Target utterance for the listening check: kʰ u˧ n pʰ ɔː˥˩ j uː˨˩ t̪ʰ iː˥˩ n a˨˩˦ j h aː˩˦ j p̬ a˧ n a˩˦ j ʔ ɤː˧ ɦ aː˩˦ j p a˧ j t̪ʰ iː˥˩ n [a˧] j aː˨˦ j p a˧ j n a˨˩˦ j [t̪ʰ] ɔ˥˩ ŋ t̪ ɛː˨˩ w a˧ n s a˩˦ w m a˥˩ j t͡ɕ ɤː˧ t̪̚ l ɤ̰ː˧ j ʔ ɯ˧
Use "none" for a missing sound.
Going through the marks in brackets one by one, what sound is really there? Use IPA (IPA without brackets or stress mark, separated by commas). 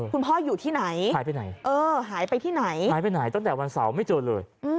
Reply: a˩˦, t̪